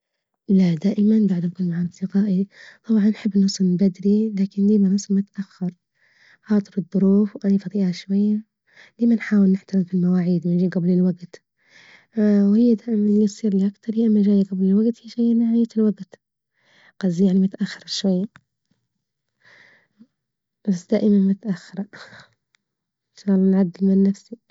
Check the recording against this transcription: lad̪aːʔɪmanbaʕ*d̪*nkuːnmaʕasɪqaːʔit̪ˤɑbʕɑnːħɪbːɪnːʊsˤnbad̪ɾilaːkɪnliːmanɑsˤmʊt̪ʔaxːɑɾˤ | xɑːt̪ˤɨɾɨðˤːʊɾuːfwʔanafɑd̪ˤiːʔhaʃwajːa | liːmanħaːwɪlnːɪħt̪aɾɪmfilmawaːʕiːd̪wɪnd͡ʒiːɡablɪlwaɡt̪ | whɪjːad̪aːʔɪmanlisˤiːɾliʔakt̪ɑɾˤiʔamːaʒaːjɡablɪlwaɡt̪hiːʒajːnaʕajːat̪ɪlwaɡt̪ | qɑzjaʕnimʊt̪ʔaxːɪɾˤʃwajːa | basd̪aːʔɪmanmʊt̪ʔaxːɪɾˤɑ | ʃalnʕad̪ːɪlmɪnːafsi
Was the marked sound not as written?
no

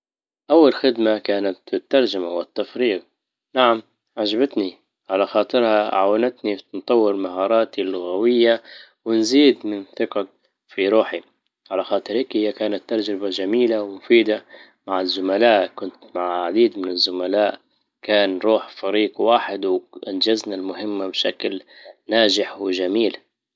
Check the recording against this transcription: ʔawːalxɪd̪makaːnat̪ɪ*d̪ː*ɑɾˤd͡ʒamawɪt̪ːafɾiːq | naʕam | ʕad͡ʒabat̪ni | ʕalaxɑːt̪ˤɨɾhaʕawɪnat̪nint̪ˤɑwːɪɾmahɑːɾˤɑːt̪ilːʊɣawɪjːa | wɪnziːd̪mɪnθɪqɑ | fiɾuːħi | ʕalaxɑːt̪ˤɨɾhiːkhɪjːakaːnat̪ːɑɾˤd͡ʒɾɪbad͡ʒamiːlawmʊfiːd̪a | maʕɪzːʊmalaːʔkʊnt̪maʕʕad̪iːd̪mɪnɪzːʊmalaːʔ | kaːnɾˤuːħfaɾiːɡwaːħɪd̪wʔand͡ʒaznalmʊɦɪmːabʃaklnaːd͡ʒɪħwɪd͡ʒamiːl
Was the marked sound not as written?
yes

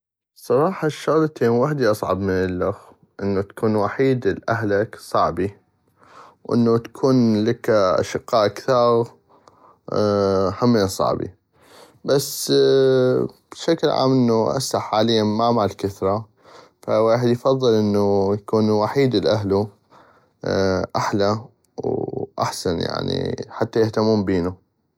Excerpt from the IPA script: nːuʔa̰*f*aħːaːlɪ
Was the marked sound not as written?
yes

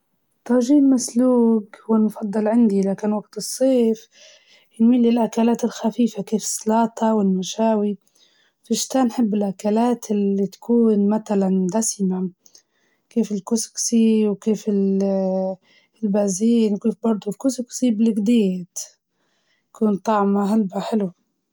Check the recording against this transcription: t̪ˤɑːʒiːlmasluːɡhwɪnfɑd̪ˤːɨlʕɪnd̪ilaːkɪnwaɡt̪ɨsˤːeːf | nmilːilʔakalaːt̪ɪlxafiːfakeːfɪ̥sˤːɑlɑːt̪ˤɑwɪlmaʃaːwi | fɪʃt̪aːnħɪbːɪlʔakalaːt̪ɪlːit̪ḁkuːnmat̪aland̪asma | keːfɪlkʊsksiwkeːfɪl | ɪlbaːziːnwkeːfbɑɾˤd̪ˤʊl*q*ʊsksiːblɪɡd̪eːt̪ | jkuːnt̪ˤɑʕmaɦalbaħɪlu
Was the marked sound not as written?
yes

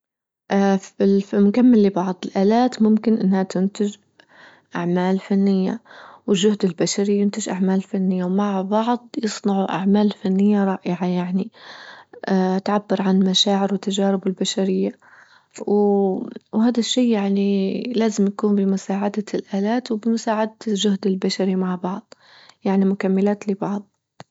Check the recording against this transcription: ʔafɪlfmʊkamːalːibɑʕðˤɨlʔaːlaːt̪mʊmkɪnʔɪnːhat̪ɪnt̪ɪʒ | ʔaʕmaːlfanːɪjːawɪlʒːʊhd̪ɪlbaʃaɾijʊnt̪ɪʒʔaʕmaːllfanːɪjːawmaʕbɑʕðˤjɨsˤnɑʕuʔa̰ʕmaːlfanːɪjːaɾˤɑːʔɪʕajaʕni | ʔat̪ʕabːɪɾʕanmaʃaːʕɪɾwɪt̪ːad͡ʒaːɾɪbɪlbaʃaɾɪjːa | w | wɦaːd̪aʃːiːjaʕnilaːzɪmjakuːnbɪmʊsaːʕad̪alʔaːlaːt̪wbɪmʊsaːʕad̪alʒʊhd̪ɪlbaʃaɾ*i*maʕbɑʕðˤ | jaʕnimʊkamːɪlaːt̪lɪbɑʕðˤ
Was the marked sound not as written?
no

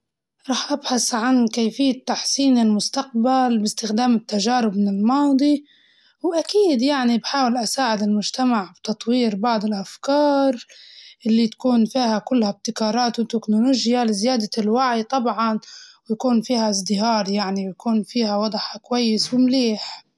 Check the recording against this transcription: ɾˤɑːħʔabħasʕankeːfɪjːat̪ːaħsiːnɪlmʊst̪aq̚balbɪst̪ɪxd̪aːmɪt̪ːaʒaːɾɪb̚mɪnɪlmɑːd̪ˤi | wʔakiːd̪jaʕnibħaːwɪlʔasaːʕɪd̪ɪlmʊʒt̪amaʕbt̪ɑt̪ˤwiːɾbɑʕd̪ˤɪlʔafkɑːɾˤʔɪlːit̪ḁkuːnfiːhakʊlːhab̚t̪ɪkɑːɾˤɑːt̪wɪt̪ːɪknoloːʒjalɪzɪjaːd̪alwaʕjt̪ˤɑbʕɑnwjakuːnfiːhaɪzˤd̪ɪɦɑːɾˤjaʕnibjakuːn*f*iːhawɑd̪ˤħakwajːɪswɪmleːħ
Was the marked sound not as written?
no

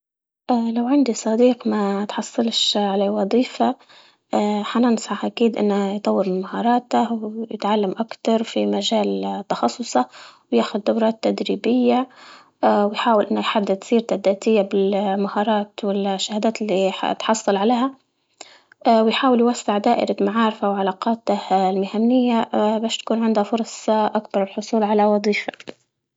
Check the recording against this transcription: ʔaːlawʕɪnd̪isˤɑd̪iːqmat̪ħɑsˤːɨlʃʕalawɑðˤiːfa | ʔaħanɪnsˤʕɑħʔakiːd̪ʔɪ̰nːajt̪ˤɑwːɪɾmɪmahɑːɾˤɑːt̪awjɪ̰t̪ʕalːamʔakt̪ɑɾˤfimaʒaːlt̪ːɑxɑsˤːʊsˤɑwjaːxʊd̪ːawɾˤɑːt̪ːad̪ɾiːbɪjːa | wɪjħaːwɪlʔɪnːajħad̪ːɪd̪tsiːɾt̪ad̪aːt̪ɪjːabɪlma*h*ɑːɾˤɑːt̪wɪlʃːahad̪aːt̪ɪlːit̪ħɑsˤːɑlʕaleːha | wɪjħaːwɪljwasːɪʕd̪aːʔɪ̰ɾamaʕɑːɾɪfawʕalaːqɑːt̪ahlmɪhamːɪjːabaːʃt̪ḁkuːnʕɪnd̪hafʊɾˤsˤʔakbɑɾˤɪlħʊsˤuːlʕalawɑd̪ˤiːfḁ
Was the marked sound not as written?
no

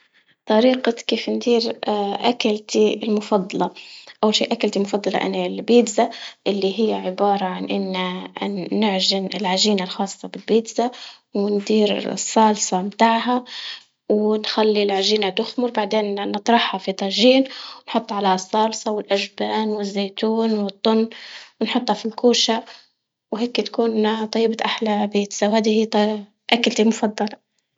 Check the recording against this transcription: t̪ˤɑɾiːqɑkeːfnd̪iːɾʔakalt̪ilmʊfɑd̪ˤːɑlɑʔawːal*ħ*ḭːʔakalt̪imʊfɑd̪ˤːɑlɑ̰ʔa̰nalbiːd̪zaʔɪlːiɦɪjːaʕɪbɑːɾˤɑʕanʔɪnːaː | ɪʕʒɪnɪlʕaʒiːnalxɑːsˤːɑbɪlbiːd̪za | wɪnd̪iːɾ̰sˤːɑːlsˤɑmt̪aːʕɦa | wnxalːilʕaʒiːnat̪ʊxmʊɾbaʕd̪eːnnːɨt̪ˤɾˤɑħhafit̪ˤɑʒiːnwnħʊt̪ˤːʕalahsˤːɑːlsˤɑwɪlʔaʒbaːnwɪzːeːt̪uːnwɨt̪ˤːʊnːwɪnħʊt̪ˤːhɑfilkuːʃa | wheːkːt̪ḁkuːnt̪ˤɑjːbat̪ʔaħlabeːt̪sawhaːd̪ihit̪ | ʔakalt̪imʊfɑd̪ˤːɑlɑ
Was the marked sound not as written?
yes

